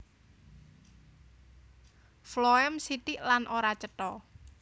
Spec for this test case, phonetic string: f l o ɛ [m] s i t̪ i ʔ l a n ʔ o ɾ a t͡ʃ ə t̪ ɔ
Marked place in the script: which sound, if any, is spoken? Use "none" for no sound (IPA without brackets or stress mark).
m